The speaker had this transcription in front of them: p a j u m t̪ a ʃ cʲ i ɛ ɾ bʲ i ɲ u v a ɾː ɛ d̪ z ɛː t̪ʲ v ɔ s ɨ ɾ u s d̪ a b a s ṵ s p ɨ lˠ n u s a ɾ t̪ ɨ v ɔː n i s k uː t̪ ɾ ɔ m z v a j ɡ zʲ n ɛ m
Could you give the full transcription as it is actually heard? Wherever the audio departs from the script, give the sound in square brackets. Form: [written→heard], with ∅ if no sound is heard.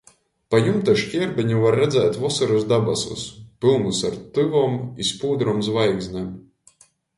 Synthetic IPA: p a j u m t̪ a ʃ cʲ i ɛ ɾ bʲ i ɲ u v a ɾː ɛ d̪ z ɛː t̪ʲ v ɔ s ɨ ɾ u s d̪ a b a s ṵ s p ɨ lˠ n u s a ɾ t̪ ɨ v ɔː [n→m] i s [k→p] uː [t̪→d̪] ɾ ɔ m z v a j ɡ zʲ n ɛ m